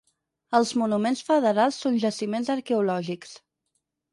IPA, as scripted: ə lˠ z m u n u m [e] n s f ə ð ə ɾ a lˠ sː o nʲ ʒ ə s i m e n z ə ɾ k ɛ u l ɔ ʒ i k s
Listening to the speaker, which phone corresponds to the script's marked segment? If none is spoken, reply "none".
e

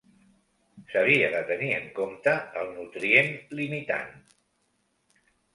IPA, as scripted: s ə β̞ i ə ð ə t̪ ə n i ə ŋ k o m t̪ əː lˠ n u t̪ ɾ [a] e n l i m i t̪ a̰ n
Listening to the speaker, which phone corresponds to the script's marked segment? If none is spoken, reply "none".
i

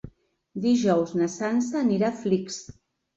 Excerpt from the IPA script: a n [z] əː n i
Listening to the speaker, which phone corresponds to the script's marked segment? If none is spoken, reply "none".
s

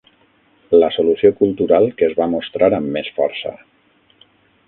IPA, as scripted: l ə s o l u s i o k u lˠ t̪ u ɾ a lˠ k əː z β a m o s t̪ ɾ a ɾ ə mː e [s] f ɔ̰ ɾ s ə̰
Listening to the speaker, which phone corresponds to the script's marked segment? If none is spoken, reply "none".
s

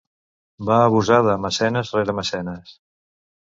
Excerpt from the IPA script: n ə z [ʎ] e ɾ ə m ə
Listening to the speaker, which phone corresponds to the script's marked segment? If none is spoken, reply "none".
r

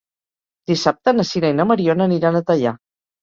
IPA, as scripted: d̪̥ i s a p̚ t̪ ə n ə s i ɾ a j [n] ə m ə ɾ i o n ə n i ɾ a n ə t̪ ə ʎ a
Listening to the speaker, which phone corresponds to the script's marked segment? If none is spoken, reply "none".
n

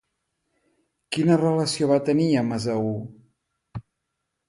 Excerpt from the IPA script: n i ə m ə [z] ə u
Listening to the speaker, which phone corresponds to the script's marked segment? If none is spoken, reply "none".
z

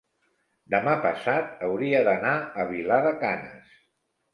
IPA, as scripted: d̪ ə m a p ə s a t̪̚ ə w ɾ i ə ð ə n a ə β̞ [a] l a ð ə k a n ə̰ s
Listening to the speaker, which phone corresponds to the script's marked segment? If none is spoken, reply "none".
i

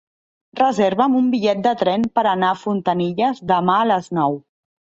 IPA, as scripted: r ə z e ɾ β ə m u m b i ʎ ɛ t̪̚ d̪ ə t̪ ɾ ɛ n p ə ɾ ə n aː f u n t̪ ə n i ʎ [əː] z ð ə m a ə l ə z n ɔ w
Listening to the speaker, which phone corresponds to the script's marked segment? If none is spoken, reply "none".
ə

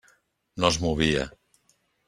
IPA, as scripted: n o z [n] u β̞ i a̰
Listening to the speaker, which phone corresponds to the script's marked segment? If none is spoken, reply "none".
m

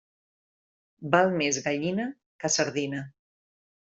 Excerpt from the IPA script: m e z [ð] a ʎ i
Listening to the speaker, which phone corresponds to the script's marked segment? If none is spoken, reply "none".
ɣ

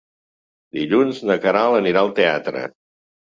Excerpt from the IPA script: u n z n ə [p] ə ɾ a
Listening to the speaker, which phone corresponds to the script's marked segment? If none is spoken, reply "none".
k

